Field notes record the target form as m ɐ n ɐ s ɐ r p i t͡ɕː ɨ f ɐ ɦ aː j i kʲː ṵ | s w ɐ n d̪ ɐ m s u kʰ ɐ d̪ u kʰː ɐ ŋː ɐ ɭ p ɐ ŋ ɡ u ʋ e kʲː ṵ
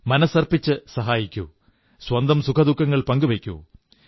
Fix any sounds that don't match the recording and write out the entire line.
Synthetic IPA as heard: m ɐ n ɐ s ɐ r p i t͡ɕː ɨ s ɐ ɦ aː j i kʲː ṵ | s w ɐ n d̪ ɐ m s u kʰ ɐ d̪ u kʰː ɐ ŋː ɐ ɭ p ɐ ŋ ɡ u ʋ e kʲː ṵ